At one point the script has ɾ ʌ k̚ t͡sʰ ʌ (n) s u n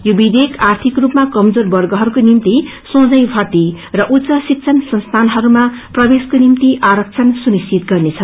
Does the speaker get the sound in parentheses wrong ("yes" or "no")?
no